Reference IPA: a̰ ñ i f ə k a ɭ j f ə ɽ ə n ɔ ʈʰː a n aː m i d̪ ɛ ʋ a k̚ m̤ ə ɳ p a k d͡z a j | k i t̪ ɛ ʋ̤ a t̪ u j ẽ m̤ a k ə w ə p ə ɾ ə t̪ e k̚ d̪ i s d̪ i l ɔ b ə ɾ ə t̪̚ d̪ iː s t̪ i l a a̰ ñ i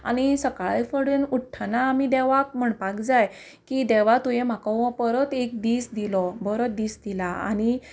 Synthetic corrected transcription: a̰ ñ i s ə k a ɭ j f ə ɽ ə n u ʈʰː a n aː m i d̪ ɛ ʋ a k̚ m̤ ə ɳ p a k d͡z a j | k i d̪ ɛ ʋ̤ a t̪ u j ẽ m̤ a k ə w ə p ə ɾ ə t̪ e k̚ d̪ i s d̪ i l ɔ b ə ɾ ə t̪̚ d̪ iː s d̪ i l a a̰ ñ i